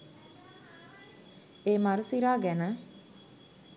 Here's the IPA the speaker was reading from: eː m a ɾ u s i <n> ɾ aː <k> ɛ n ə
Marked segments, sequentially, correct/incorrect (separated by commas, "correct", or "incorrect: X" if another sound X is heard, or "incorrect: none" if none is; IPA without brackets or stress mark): incorrect: none, incorrect: ɡ